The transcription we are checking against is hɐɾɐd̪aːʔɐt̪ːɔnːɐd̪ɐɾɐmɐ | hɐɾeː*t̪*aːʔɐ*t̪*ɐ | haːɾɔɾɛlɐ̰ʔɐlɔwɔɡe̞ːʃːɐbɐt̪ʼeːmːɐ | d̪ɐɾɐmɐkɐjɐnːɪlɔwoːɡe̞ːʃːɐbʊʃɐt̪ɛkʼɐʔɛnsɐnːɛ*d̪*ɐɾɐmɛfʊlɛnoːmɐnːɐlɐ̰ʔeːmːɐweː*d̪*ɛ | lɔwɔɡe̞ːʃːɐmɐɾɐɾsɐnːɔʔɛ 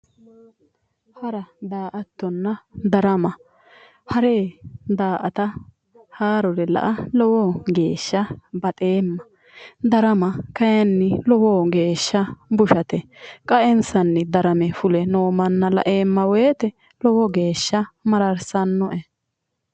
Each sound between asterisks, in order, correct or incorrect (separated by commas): incorrect, correct, correct, incorrect